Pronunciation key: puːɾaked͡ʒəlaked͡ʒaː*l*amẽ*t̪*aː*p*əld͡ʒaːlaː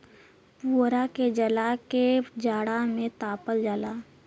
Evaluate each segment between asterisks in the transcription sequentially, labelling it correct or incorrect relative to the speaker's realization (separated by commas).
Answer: incorrect, correct, correct